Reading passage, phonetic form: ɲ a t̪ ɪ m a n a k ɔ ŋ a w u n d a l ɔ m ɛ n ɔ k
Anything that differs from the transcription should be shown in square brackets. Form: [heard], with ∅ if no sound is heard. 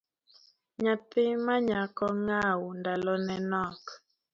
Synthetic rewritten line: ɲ a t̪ ɪ m a [ɲ] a k ɔ ŋ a w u n d a l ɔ [n] ɛ n ɔ k